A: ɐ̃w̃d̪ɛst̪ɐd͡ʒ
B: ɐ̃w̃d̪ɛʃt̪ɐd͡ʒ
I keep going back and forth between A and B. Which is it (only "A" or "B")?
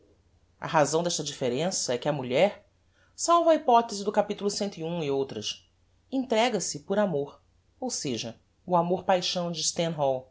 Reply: B